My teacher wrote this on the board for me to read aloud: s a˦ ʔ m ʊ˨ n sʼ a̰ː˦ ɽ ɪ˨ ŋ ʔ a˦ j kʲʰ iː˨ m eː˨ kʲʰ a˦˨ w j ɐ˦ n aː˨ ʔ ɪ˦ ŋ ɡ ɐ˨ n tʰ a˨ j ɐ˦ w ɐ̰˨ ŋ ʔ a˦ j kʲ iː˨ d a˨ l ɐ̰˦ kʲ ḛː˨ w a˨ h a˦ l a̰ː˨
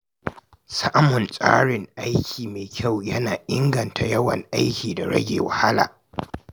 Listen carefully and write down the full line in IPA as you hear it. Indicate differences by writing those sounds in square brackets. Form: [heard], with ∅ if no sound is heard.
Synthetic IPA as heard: s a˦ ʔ m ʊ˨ n sʼ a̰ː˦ ɽ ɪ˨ ŋ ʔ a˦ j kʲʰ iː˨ m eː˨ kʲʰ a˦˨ w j ɐ˦ n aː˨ ʔ ɪ˦ ŋ ɡ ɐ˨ n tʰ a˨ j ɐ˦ w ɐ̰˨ ŋ ʔ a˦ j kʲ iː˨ d a˨ [ɽ] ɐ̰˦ [ɡʲ] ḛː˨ w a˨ h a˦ l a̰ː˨